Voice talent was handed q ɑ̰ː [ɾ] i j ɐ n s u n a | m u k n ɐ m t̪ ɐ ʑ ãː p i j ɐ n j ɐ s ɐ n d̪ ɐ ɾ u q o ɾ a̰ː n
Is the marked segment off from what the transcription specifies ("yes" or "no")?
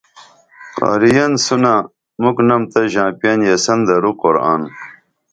no